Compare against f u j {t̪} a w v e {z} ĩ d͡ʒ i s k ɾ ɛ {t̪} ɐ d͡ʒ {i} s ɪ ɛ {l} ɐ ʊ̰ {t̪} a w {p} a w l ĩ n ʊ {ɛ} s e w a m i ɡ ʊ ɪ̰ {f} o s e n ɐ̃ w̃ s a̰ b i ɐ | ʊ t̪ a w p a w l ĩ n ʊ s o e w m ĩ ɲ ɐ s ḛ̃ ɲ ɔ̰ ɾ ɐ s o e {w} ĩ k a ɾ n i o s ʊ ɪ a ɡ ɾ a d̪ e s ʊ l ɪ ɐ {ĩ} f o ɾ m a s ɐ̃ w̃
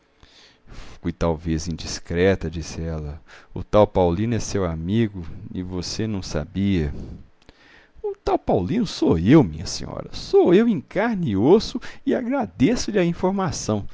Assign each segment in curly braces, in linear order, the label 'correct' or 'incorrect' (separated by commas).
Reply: correct, correct, correct, correct, correct, correct, correct, correct, incorrect, correct, correct